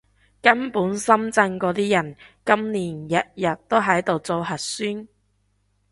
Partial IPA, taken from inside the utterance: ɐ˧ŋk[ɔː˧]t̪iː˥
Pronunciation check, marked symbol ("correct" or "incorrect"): correct